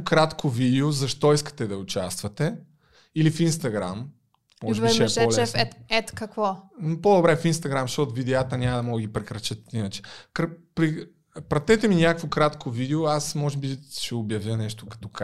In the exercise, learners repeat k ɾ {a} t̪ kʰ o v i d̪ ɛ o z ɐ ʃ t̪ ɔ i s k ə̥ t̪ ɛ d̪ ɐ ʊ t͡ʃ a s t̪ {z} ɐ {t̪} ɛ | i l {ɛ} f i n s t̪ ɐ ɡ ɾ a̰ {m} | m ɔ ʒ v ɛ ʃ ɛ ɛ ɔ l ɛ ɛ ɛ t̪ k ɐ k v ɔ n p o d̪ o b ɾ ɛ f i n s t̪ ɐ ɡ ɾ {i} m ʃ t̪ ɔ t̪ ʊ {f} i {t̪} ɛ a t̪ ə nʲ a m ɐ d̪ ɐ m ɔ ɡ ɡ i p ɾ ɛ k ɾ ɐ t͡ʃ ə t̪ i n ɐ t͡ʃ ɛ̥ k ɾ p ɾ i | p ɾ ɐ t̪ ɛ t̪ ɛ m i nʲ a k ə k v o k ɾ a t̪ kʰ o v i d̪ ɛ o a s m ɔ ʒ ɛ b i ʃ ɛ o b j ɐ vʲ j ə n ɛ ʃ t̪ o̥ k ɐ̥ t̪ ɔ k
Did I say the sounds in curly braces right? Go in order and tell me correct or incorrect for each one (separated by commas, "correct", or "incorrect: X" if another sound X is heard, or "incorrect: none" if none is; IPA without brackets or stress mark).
correct, incorrect: v, correct, incorrect: i, correct, incorrect: a, incorrect: v, incorrect: d̪